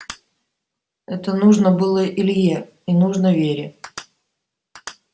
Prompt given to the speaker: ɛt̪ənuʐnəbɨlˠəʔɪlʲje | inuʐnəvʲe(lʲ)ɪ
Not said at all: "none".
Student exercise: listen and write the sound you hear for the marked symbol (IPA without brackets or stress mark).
ɾʲ